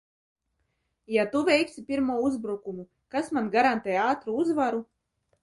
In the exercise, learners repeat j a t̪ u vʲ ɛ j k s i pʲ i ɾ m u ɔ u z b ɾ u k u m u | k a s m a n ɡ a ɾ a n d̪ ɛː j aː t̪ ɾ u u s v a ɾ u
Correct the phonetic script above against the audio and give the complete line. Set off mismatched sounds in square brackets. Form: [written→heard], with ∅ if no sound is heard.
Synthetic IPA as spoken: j a t̪ u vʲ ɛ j k s i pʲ i ɾ m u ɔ u z b ɾ u k u m u | k a s m a n ɡ a ɾ a n [d̪→t̪] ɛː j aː t̪ ɾ u u [s→z] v a ɾ u